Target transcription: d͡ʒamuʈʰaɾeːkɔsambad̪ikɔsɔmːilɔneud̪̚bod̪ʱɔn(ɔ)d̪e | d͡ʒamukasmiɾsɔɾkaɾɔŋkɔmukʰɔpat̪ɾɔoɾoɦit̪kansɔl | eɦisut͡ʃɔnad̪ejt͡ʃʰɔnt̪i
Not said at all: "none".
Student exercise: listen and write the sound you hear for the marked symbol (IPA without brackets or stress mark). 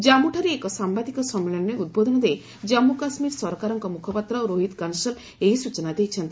ɔ